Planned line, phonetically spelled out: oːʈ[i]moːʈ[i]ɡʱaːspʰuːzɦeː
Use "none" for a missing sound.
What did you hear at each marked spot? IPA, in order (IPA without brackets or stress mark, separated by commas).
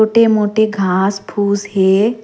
e, e